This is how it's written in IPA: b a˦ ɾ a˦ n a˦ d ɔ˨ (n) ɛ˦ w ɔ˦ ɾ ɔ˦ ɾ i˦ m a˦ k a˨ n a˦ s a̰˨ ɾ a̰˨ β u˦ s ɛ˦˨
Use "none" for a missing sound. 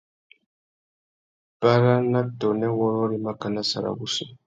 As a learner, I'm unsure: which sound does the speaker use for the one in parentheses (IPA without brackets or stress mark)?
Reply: n